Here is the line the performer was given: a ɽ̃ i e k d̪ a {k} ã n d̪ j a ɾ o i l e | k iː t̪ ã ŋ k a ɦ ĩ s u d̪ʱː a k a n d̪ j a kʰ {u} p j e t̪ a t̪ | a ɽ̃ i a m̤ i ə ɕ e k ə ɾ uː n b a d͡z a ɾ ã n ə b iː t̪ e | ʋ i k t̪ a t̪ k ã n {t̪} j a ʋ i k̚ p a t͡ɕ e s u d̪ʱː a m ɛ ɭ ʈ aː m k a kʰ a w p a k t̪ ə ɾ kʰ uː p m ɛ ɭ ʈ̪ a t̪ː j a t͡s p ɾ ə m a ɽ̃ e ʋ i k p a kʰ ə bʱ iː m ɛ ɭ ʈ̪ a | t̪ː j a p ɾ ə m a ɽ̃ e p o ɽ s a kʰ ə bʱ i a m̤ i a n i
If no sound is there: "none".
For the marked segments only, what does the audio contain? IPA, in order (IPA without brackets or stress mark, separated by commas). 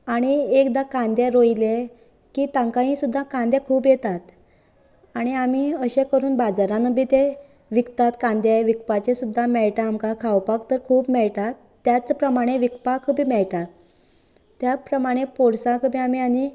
k, uː, d̪